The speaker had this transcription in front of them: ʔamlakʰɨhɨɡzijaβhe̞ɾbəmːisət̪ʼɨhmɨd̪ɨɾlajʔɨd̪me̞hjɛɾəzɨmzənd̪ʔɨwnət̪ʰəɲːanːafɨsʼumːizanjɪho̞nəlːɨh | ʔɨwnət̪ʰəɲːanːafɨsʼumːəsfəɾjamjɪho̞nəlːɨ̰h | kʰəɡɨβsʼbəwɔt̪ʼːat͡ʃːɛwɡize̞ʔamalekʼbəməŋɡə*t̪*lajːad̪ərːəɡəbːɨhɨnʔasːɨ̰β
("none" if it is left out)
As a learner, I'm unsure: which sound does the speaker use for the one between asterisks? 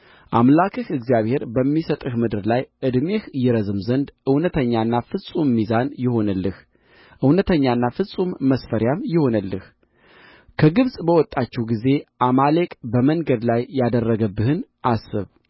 d̪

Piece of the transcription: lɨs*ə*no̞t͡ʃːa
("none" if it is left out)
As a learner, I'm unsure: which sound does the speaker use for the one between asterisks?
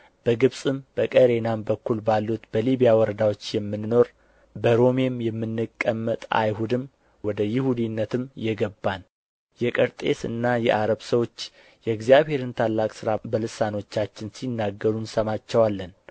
a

